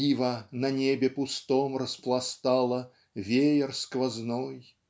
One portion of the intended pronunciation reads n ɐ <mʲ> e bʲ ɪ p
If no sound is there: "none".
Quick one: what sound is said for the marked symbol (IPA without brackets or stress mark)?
nʲ